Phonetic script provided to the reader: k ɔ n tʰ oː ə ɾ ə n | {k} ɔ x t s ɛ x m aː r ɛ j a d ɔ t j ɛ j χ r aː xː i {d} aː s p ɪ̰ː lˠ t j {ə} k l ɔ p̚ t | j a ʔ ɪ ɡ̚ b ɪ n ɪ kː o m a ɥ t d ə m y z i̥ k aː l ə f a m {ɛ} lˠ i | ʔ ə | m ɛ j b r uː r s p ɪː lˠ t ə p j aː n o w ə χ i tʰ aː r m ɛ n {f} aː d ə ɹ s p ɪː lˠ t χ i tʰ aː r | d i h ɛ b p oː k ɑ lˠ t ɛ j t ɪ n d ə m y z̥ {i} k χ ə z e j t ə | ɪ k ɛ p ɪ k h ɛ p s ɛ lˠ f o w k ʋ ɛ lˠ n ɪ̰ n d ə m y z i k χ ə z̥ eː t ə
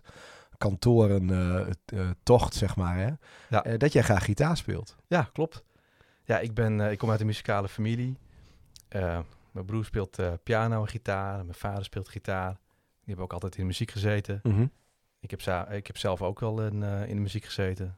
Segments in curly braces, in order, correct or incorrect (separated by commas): incorrect, incorrect, incorrect, incorrect, correct, correct